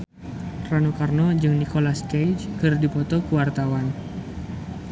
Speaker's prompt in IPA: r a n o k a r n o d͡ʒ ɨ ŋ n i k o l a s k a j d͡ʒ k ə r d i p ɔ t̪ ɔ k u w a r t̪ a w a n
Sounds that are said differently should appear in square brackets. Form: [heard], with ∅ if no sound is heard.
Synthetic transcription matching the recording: r a n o k a r n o d͡ʒ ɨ ŋ n i k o l a s k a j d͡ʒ k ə r d i p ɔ t̪ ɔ k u w a r t̪ a w a n